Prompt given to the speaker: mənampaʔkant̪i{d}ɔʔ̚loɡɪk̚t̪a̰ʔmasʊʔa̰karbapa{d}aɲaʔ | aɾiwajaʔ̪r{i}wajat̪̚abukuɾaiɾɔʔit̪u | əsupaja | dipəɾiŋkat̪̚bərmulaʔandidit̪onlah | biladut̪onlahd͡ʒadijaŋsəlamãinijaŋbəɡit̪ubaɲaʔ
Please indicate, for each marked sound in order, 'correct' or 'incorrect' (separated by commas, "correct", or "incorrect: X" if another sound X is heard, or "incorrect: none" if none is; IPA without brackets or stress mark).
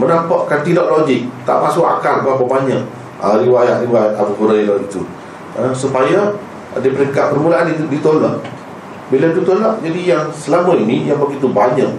correct, incorrect: b, correct